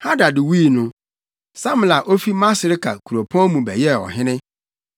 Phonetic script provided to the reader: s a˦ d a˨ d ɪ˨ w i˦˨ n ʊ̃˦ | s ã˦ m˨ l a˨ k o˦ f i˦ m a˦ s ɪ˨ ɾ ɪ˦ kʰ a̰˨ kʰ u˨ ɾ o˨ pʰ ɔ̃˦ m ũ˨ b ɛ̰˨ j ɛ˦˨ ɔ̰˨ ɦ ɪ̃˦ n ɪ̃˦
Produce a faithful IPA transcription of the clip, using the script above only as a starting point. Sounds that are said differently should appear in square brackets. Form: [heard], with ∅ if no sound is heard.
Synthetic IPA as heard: [h] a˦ d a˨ d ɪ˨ w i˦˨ n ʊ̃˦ | s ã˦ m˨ l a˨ [ʔ] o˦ f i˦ m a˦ s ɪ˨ ɾ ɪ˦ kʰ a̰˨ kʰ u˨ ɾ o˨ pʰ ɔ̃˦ m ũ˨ b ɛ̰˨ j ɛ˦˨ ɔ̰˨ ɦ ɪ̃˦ n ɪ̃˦